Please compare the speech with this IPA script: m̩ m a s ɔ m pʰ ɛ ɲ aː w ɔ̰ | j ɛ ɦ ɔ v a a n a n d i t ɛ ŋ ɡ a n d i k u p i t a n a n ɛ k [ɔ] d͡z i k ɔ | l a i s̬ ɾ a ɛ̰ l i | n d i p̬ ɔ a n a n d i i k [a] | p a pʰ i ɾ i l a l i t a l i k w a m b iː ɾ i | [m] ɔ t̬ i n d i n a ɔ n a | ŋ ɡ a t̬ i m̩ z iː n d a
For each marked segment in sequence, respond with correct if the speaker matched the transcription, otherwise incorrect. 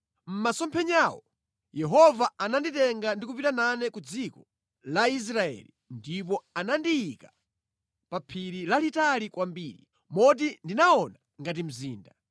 incorrect, correct, correct

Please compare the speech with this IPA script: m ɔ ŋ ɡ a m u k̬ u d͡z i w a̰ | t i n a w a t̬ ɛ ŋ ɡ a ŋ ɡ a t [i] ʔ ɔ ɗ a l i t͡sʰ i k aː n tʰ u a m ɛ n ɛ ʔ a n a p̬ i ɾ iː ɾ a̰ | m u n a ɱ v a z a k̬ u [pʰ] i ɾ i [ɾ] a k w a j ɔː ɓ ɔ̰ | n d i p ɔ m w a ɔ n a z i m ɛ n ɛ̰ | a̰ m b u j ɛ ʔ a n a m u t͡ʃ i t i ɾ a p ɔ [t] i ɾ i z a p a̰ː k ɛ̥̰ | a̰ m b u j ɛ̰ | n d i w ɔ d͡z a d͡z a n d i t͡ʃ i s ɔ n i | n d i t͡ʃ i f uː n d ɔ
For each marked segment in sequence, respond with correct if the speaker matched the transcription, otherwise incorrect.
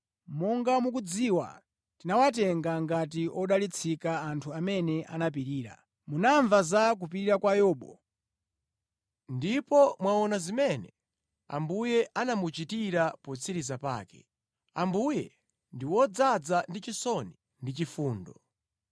correct, incorrect, correct, incorrect

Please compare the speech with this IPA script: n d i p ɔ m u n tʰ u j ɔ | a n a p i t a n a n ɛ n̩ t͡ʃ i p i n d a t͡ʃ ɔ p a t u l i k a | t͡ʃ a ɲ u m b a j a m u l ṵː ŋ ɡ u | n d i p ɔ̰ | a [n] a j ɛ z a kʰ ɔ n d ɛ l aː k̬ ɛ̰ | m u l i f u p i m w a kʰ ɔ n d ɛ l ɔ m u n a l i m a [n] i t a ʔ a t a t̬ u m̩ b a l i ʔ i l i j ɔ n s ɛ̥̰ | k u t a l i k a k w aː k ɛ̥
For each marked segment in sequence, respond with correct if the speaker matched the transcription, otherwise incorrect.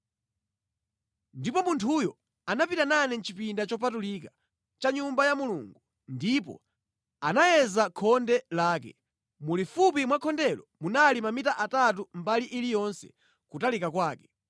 correct, incorrect

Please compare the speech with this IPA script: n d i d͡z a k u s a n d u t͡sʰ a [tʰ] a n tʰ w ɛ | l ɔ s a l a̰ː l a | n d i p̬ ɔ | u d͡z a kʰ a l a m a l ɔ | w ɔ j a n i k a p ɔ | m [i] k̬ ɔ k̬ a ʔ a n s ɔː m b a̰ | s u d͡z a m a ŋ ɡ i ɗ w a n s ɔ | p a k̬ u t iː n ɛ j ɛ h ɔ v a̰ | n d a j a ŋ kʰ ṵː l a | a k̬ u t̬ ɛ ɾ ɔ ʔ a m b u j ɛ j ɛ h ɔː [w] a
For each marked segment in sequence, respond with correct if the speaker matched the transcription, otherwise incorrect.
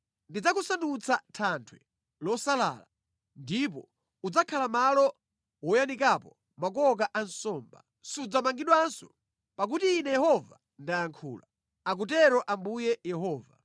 correct, incorrect, incorrect

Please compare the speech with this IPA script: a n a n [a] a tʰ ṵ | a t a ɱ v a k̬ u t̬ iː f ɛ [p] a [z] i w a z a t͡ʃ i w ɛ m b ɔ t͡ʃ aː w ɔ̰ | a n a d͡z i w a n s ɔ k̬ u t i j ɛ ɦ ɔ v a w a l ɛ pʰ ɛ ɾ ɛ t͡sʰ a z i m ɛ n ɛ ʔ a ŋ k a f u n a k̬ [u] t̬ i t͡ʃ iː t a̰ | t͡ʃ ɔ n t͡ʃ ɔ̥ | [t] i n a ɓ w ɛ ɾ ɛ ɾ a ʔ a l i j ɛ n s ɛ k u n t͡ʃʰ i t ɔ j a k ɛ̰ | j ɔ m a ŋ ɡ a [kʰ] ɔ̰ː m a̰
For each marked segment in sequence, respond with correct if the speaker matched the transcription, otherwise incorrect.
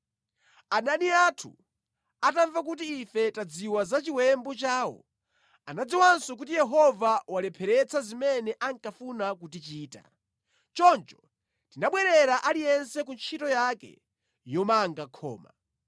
incorrect, incorrect, incorrect, correct, correct, correct

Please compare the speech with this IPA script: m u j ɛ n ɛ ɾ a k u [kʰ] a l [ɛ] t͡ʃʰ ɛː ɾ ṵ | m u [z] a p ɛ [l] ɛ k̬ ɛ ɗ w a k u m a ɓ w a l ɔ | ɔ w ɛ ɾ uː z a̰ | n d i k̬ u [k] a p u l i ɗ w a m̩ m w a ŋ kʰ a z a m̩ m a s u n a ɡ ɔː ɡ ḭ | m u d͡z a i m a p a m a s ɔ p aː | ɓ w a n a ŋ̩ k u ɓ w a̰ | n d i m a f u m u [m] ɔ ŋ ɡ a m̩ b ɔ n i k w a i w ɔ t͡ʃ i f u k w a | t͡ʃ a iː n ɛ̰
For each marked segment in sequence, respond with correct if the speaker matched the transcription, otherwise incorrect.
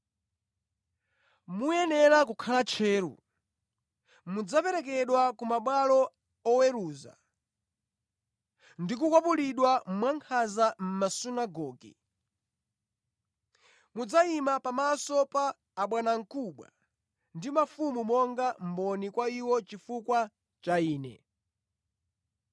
correct, incorrect, incorrect, incorrect, correct, correct

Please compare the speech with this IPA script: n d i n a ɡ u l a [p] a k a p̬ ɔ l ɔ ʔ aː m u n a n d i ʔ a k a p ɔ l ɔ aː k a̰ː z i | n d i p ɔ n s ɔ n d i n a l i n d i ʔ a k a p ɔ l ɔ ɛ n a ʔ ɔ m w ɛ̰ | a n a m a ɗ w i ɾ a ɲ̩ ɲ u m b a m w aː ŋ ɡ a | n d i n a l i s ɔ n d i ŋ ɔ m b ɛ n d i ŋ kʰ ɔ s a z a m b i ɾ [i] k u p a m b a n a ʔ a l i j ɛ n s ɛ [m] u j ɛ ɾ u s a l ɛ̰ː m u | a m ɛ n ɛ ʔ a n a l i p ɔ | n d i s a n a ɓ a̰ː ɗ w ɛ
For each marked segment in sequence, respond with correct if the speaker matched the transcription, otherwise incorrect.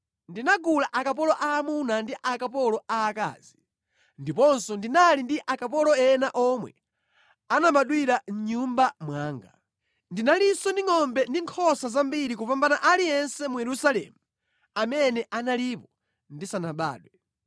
incorrect, correct, correct

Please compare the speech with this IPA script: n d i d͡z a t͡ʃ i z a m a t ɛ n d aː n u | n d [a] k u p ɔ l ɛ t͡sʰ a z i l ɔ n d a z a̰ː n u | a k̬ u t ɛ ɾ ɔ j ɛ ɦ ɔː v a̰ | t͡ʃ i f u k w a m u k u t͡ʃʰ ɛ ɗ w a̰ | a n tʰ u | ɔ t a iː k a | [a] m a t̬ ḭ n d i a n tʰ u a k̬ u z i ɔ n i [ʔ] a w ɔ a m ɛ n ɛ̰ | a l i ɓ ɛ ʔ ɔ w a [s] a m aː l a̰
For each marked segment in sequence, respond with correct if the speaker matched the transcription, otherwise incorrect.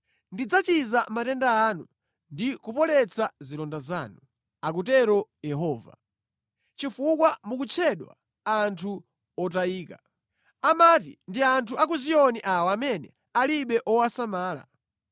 incorrect, correct, correct, correct

